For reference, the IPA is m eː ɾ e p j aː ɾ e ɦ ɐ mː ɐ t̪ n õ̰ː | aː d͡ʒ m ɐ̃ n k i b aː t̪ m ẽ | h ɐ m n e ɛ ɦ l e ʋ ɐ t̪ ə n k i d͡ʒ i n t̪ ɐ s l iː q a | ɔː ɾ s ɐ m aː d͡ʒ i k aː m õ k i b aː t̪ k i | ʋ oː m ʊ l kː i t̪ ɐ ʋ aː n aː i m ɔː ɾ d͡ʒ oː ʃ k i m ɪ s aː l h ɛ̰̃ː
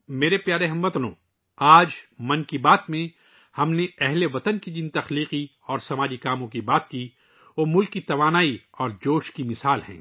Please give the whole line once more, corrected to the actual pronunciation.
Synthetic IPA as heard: m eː ɾ e p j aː ɾ e ɦ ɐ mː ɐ t̪ n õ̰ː | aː d͡ʒ m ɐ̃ n k i b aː t̪ m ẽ | h ɐ m n e ɛ ɦ l e ʋ ɐ t̪ ə n k i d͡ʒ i n t̪ ɐ x l iː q i | ɔː ɾ s ɐ m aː d͡ʒ i k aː m õ k i b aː t̪ k i | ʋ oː m ʊ l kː i t̪ ɐ ʋ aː n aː i ɔː ɾ d͡ʒ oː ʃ k i m ɪ s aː l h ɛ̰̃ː